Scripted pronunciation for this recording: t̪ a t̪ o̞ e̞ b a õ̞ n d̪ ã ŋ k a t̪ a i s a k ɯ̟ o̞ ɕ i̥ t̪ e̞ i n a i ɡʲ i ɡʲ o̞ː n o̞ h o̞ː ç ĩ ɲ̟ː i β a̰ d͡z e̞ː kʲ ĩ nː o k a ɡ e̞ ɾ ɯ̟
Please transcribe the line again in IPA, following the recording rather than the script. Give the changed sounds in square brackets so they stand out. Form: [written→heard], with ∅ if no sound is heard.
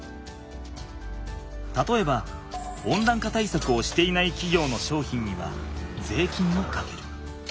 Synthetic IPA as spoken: t̪ a t̪ o̞ e̞ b a õ̞ n d̪ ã ŋ k a t̪ a i s a k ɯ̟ o̞ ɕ i̥ t̪ e̞ i n a i [ɡʲ→kʲ] i ɡʲ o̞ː n o̞ [h→ɕ] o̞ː ç ĩ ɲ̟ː i β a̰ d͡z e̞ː kʲ ĩ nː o k a [ɡ→k] e̞ ɾ ɯ̟